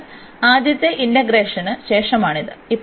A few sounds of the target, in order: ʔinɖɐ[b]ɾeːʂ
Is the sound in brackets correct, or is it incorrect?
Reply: incorrect